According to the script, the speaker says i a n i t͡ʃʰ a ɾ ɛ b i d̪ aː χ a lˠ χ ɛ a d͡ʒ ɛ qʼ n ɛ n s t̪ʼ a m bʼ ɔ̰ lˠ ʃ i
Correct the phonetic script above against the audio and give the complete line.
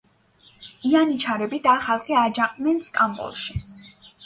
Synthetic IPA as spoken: i a n i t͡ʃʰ a ɾ ɛ b i d̪ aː χ a lˠ χ ɛ a d͡ʒ a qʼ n ɛ n s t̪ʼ a m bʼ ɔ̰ lˠ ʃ i